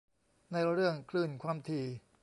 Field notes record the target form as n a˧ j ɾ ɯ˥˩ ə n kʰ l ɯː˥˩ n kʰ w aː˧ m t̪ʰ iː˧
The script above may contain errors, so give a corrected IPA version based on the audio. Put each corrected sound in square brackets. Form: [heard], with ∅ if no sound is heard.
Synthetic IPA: n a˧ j ɾ ɯ˥˩ ə [ŋ] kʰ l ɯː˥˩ n kʰ w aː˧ m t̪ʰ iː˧